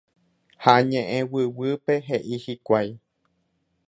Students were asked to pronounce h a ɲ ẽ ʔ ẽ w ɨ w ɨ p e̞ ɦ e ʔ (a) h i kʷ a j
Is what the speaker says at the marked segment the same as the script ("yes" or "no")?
no